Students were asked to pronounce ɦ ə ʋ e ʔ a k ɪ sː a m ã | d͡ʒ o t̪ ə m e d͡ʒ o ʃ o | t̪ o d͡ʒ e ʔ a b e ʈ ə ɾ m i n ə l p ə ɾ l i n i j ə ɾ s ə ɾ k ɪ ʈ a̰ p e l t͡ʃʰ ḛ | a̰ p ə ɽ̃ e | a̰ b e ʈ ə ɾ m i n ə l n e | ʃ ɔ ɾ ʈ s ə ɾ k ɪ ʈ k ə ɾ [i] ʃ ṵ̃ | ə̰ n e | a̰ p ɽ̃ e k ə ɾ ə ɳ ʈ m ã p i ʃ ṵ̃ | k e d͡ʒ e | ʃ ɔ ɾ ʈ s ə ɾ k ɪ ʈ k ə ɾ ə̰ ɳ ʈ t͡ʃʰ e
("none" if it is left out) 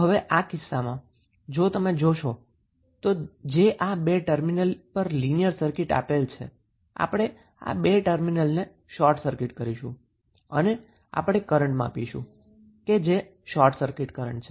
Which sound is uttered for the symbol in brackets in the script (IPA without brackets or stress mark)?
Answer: i